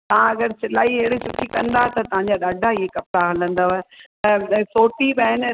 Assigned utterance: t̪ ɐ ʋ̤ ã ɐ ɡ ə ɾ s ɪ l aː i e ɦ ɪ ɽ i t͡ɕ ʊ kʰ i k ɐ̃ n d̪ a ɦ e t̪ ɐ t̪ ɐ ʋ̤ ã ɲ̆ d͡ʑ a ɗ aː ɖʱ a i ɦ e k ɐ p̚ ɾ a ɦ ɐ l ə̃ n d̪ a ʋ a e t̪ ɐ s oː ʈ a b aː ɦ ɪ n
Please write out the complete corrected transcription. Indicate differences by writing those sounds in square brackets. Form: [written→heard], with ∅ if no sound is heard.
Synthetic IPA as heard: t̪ ɐ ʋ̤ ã ɐ ɡ ə ɾ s ɪ l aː i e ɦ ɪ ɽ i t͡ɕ ʊ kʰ i k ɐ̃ n d̪ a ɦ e t̪ ɐ t̪ ɐ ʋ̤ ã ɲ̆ d͡ʑ a ɗ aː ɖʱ a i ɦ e k ɐ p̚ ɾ a ɦ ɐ l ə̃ n d̪ a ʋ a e t̪ ɐ s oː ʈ [a→i] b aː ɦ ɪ n